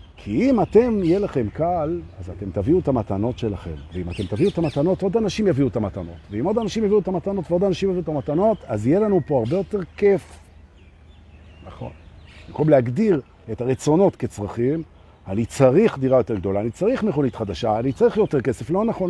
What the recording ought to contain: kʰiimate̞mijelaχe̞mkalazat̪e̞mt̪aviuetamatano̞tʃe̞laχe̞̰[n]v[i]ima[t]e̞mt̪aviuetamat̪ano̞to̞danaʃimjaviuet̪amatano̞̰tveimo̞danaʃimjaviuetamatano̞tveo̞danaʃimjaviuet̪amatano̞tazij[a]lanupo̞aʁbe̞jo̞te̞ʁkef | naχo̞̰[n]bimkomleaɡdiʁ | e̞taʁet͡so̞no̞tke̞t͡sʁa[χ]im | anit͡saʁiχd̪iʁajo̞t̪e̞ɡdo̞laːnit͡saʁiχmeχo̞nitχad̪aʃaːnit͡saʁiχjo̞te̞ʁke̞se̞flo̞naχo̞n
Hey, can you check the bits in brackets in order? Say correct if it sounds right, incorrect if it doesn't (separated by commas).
incorrect, incorrect, correct, incorrect, correct, correct